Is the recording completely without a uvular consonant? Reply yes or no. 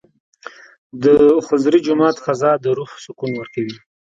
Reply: yes